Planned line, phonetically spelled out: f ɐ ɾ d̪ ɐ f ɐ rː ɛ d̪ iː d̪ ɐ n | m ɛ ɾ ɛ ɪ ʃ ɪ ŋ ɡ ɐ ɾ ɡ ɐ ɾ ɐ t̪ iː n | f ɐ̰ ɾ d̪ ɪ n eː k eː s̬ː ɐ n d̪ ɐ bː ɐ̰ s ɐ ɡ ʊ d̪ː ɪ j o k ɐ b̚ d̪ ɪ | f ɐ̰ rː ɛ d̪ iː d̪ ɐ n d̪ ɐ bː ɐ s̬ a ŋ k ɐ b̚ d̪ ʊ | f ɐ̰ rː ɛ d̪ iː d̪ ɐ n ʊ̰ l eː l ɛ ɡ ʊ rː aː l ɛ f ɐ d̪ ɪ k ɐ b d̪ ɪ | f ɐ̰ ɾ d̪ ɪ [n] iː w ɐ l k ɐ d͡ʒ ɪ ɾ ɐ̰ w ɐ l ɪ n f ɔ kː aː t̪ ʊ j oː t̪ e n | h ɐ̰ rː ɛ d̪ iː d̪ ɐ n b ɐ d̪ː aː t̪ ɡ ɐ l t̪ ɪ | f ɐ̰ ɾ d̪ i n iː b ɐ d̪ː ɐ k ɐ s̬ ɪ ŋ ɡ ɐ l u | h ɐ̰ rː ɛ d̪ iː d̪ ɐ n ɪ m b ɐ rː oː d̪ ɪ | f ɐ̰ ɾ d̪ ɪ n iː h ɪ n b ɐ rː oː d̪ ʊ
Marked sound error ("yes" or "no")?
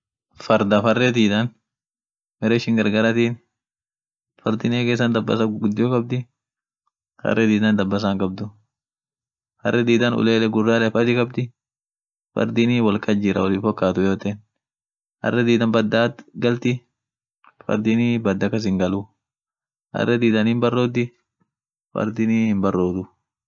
no